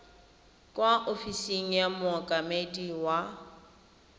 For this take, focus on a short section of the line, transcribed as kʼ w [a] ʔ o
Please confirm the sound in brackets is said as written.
yes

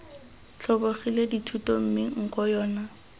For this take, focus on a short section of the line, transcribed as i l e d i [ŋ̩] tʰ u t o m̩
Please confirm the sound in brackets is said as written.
no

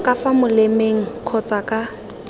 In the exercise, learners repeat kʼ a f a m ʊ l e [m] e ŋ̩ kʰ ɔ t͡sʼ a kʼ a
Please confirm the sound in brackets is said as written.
yes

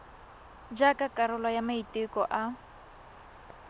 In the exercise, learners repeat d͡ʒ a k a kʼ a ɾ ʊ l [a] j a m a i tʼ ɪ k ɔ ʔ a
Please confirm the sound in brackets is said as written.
yes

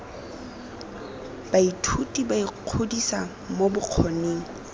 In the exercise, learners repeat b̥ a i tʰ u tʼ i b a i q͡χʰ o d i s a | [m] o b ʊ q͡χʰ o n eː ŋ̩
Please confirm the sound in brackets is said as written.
yes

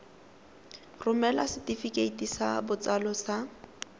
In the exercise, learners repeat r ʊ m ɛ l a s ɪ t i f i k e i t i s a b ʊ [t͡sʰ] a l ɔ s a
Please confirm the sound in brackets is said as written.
no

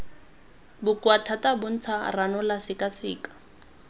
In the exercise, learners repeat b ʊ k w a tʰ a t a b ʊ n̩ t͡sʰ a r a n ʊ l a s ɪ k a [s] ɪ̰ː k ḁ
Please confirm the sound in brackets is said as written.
yes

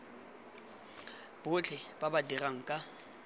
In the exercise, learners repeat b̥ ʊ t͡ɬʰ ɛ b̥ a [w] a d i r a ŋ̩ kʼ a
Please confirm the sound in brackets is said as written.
no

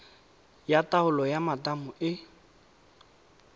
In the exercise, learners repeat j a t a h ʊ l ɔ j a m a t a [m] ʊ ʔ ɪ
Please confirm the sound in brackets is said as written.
yes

